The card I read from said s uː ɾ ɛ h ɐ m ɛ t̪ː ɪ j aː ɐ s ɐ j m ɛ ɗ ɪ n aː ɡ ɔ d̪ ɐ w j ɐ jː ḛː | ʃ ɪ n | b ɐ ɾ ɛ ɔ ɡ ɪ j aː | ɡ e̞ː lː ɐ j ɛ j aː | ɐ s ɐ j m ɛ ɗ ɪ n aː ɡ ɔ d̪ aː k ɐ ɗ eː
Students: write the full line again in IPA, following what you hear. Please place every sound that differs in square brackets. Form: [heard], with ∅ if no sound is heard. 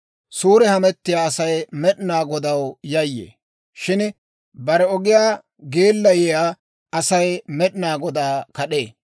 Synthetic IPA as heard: s uː ɾ ɛ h ɐ m ɛ t̪ː ɪ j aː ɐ s ɐ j m ɛ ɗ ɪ n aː ɡ ɔ d̪ ɐ w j ɐ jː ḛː | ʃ ɪ n | b ɐ ɾ ɛ ɔ ɡ ɪ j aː | ɡ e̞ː lː ɐ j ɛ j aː | ɐ s ɐ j m ɛ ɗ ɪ n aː ɡ ɔ d̪ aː k ɐ ɗ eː

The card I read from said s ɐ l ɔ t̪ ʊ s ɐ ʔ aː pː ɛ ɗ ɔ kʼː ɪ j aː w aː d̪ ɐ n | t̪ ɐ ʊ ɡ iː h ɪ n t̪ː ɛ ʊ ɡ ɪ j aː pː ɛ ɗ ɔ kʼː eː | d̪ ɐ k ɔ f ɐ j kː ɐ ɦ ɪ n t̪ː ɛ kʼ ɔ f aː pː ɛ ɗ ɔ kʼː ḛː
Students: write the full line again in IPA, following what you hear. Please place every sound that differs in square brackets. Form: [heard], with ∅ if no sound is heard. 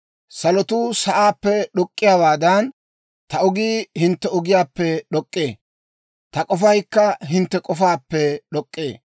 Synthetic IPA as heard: s ɐ l ɔ t̪ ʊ s ɐ ʔ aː pː ɛ ɗ ɔ kʼː ɪ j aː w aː d̪ ɐ n | t̪ ɐ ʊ ɡ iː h ɪ n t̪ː ɛ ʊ ɡ ɪ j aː pː ɛ ɗ ɔ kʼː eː | [t̪] ɐ [kʼ] ɔ f ɐ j kː ɐ ɦ ɪ n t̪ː ɛ kʼ ɔ f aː pː ɛ ɗ ɔ kʼː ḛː

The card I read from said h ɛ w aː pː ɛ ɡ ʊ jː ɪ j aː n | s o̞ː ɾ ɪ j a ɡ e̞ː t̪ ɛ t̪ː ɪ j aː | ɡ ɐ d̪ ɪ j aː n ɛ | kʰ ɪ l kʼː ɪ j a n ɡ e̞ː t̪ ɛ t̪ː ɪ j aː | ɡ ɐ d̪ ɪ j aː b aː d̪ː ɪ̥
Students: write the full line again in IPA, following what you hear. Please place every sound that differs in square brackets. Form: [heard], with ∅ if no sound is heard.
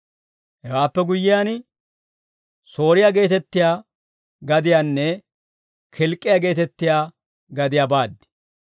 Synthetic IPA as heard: h ɛ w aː pː ɛ ɡ ʊ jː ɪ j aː n | s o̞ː ɾ ɪ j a ɡ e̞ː t̪ ɛ t̪ː ɪ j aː | ɡ ɐ d̪ ɪ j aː [nː] ɛ | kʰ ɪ l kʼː ɪ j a [∅] ɡ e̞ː t̪ ɛ t̪ː ɪ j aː | ɡ ɐ d̪ ɪ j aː b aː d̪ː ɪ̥

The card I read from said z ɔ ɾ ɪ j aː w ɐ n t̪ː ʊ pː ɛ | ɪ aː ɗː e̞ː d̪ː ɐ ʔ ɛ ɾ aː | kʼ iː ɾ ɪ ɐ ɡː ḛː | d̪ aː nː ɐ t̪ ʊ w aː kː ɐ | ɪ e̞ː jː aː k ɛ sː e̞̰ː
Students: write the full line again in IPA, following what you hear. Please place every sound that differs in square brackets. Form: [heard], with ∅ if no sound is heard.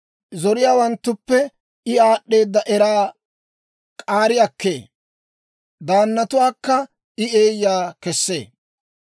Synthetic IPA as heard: z ɔ ɾ ɪ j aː w ɐ n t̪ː ʊ pː ɛ | ɪ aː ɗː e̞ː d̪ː ɐ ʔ ɛ ɾ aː | kʼ [aː] ɾ ɪ ɐ [kː] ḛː | d̪ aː nː ɐ t̪ ʊ w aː kː ɐ | ɪ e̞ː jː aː k ɛ sː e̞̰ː

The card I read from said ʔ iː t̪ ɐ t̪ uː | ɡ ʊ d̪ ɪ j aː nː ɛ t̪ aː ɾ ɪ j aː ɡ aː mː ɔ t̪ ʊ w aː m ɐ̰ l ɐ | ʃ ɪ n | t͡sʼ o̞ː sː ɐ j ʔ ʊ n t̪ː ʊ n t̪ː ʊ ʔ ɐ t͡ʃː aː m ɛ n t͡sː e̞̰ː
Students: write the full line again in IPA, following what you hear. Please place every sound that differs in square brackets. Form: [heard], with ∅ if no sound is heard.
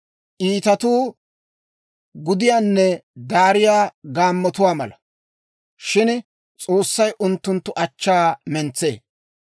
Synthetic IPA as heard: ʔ iː t̪ ɐ t̪ uː | ɡ ʊ d̪ ɪ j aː nː ɛ [d̪] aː ɾ ɪ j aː ɡ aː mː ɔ t̪ ʊ w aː m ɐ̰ l ɐ | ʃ ɪ n | t͡sʼ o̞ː sː ɐ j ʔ ʊ n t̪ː ʊ n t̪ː ʊ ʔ ɐ t͡ʃː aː m ɛ n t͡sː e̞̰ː

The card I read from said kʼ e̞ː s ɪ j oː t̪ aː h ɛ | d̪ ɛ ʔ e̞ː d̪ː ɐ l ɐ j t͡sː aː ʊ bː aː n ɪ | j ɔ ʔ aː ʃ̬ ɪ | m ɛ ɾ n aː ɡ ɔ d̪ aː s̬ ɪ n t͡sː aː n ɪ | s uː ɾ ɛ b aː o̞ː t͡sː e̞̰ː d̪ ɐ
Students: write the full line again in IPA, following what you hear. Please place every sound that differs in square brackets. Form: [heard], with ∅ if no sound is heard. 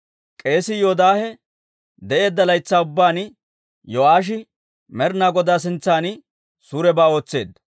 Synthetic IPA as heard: kʼ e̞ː s ɪ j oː [d̪] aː h ɛ | d̪ ɛ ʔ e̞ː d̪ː ɐ l ɐ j t͡sː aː ʊ bː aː n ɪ | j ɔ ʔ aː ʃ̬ ɪ | m ɛ ɾ n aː ɡ ɔ d̪ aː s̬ ɪ n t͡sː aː n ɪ | s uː ɾ ɛ b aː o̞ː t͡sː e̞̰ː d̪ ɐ

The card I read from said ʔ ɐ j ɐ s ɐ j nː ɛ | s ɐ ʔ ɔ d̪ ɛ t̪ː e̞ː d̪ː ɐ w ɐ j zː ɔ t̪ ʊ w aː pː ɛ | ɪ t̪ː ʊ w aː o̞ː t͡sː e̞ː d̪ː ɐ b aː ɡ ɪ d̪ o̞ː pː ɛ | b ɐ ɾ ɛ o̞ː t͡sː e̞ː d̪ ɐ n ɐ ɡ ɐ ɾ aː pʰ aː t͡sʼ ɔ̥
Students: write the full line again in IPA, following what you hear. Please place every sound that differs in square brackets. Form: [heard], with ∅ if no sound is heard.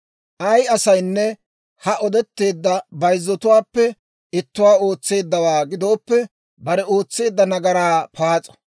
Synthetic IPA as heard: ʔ ɐ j ɐ s ɐ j nː ɛ | [h] ɐ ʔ ɔ d̪ ɛ t̪ː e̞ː d̪ː ɐ [b] ɐ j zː ɔ t̪ ʊ w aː pː ɛ | ɪ t̪ː ʊ w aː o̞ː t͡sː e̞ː d̪ː ɐ [w] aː ɡ ɪ d̪ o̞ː pː ɛ | b ɐ ɾ ɛ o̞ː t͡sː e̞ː [d̪ː] ɐ n ɐ ɡ ɐ ɾ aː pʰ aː t͡sʼ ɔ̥

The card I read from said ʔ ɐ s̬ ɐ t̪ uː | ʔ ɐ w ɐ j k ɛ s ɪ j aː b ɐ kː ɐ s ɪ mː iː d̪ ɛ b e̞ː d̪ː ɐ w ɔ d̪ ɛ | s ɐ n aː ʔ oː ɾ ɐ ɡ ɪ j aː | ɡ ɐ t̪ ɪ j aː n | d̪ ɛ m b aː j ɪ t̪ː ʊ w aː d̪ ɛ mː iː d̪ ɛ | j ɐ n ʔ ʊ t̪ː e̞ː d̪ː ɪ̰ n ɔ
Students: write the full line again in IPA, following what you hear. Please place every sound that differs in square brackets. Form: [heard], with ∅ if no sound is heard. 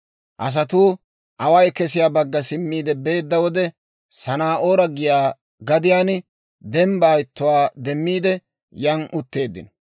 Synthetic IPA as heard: ʔ ɐ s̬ ɐ t̪ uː | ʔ ɐ w ɐ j k ɛ s ɪ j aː b ɐ [ɡː] ɐ s ɪ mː iː d̪ ɛ b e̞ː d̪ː ɐ w ɔ d̪ ɛ | s ɐ n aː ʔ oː ɾ ɐ ɡ ɪ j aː | ɡ ɐ [d̪] ɪ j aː n | d̪ ɛ m b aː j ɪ t̪ː ʊ w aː d̪ ɛ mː iː d̪ ɛ | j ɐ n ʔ ʊ t̪ː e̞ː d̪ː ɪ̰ n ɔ

